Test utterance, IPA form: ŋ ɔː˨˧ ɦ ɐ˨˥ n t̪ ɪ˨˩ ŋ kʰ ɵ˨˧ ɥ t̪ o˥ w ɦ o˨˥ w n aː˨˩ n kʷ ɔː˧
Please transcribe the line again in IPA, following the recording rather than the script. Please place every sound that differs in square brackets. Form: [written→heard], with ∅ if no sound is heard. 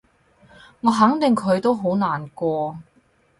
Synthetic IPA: ŋ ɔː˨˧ ɦ ɐ˨˥ [n→ŋ] t̪ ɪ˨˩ ŋ kʰ ɵ˨˧ ɥ t̪ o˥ w ɦ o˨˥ w n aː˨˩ n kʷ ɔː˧

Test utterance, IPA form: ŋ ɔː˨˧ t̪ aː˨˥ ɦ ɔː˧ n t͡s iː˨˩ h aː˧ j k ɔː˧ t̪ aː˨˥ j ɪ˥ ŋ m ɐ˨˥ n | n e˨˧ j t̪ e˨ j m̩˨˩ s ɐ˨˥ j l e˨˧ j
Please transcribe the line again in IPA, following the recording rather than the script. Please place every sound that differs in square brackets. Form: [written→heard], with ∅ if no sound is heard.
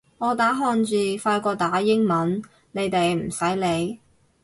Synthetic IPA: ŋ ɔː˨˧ t̪ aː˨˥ ɦ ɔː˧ n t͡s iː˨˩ [h→f] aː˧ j k ɔː˧ t̪ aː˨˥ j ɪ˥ ŋ m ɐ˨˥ n | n e˨˧ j t̪ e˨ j m̩˨˩ s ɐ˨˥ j l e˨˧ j

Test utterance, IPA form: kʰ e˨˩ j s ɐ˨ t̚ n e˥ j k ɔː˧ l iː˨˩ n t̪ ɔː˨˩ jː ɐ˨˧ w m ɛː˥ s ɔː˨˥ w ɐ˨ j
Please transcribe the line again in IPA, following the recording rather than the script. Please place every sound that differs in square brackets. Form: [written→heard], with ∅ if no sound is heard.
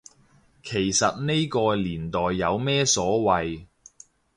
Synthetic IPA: kʰ e˨˩ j s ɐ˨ t̚ n e˥ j k ɔː˧ l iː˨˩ n t̪ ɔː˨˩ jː ɐ˨˧ w m ɛː˥ s ɔː˨˥ w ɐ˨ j

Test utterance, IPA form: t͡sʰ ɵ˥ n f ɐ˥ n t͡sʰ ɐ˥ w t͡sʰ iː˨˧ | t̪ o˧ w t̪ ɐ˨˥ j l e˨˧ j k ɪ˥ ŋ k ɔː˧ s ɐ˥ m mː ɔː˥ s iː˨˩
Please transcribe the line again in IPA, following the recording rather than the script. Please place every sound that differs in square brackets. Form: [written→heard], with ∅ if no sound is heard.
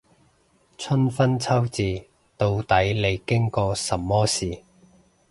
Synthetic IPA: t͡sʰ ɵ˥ n f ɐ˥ n t͡sʰ ɐ˥ w [t͡sʰ→t͡s] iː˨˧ | t̪ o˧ w t̪ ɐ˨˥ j l e˨˧ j k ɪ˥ ŋ k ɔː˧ s [ɐ˥→ɐ˨] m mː ɔː˥ s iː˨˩

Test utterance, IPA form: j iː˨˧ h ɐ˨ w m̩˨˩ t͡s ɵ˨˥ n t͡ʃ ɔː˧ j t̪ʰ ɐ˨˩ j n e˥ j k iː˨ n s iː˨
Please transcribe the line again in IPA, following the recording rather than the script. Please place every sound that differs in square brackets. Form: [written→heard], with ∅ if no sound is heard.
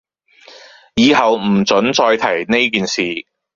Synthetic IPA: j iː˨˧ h ɐ˨ w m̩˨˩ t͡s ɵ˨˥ n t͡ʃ ɔː˧ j t̪ʰ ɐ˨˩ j n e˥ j k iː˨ n s iː˨

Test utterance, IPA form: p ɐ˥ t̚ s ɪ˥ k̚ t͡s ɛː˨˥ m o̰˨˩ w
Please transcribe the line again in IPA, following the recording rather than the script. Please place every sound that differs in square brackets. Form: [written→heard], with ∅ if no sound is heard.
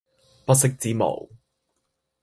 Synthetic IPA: p ɐ˥ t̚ s ɪ˥ k̚ t͡s [ɛː˨˥→iː˨˥] m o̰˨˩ w

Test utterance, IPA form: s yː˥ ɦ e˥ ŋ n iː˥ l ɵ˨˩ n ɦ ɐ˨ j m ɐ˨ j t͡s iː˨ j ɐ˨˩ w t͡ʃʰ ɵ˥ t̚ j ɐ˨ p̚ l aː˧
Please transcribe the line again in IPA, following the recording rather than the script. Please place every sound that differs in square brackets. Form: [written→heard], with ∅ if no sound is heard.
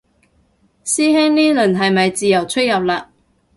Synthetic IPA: s [yː˥→iː˥] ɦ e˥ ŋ n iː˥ l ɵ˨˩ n ɦ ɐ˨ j m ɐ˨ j t͡s iː˨ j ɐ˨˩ w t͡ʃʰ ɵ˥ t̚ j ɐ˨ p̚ l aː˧

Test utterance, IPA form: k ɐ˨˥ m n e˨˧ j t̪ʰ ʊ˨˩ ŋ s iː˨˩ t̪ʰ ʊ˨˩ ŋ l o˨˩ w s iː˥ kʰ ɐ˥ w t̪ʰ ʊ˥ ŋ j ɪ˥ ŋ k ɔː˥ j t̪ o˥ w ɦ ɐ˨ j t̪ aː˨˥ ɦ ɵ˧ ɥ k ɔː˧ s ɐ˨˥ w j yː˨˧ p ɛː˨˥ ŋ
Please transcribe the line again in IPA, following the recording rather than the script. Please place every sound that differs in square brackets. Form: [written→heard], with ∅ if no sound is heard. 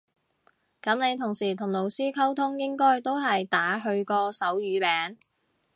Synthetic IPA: k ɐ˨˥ m n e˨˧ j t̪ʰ ʊ˨˩ ŋ s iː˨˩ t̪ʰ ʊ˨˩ ŋ l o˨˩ w s iː˥ kʰ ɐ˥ w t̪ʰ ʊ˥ ŋ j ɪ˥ ŋ k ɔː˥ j t̪ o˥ w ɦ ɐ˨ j t̪ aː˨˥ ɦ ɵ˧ ɥ k ɔː˧ s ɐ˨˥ w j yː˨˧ p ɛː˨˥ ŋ

